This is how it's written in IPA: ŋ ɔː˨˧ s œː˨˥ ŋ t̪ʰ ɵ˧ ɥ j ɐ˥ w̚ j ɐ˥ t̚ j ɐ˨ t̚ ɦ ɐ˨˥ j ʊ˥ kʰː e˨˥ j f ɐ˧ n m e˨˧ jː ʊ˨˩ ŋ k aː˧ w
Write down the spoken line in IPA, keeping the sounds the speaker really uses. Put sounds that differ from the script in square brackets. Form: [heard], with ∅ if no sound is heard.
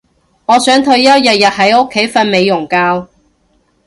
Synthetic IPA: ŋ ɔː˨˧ s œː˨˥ ŋ t̪ʰ ɵ˧ ɥ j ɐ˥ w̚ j [ɐ˨] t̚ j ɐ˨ t̚ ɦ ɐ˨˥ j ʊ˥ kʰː e˨˥ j f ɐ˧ n m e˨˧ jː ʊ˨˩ ŋ k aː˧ w